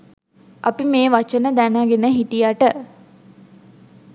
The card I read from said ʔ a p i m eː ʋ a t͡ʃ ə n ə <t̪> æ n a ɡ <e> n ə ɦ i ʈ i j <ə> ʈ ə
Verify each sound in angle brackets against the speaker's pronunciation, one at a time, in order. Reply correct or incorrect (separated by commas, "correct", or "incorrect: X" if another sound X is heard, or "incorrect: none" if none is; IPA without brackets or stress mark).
incorrect: d̪, correct, incorrect: a